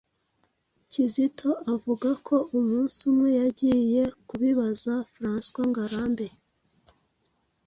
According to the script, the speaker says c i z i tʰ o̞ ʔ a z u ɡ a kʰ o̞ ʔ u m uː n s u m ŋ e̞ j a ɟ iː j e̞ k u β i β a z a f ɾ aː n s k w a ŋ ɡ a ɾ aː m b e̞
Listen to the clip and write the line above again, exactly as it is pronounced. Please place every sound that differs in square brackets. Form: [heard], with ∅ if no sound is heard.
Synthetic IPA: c i z i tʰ o̞ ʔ a [v] u ɡ a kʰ o̞ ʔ u m uː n s u m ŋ e̞ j a ɟ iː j e̞ k u β i β a z a f ɾ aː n s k w a ŋ ɡ a ɾ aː m b e̞